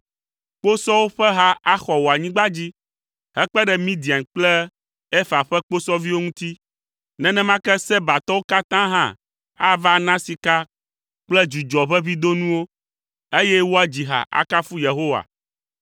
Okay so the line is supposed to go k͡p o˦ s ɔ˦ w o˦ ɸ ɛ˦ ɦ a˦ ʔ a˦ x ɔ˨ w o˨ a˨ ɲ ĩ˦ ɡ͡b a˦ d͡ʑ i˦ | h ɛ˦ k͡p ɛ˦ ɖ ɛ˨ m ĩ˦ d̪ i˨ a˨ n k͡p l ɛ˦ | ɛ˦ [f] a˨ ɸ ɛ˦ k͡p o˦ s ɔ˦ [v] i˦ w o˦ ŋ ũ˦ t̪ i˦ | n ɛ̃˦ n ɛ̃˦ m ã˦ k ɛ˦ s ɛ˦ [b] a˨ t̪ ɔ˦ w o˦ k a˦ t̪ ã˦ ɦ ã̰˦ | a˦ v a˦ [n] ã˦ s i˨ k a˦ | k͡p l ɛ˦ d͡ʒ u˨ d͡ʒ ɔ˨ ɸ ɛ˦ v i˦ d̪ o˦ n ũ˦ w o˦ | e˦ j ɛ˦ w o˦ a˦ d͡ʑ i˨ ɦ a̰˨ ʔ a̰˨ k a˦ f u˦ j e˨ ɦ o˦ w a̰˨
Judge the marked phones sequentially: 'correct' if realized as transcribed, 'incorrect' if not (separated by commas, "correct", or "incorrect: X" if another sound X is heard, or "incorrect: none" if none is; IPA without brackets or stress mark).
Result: correct, correct, correct, correct